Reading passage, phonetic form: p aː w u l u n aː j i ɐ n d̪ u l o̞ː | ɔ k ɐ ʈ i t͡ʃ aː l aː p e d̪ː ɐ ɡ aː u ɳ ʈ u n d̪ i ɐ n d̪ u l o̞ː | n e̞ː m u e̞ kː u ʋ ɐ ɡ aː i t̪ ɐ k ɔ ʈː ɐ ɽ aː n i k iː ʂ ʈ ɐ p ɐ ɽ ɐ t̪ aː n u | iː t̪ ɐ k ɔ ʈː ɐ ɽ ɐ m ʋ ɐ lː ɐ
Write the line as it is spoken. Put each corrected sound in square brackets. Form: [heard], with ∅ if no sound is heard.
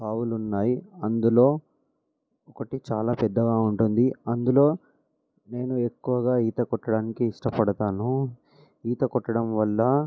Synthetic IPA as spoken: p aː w u l u [nː] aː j i ɐ n d̪ u l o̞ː | ɔ k ɐ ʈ i t͡ʃ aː l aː p [ɛ] d̪ː ɐ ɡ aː u ɳ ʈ u n d̪ i ɐ n d̪ u l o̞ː | n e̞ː [n] u e̞ kː u ʋ ɐ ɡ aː [iː] t̪ ɐ k ɔ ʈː ɐ ɽ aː n i k iː ʂ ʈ ɐ p ɐ ɽ ɐ t̪ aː n u | iː t̪ ɐ k ɔ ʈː ɐ ɽ ɐ m ʋ ɐ lː ɐ